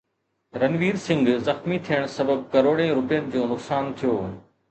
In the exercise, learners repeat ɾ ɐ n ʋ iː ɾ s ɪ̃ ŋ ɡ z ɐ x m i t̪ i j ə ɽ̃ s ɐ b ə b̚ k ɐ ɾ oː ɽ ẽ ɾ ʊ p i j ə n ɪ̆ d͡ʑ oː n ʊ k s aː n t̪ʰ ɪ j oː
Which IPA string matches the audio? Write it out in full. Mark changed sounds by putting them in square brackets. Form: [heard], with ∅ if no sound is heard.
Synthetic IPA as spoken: ɾ ɐ n ʋ iː ɾ s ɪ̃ ŋ ɡ z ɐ x m i [t̪ʰ] i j ə ɽ̃ s ɐ b ə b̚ k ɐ ɾ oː ɽ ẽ ɾ ʊ p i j ə n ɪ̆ d͡ʑ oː n ʊ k s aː n t̪ʰ [i] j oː